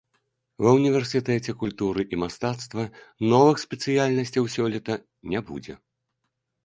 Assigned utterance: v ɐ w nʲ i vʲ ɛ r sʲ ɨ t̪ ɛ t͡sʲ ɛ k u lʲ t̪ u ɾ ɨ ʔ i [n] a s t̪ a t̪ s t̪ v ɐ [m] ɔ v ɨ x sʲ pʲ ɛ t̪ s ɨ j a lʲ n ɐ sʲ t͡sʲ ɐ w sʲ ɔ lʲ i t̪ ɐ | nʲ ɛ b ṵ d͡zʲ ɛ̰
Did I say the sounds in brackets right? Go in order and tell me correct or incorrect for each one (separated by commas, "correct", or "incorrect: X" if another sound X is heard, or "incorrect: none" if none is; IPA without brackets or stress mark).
incorrect: m, incorrect: n